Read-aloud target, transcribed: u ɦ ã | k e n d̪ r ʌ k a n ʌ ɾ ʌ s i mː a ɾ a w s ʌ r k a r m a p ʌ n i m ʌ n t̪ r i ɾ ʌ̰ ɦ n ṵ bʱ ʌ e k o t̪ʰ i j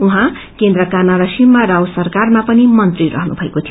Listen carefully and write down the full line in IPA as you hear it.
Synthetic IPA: u ɦ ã | k e n d̪ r ʌ k a n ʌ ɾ ʌ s i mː a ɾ a w s ʌ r k a r m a p ʌ n i m ʌ n t̪ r i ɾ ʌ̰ ɦ n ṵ bʱ ʌ e k o t̪ʰ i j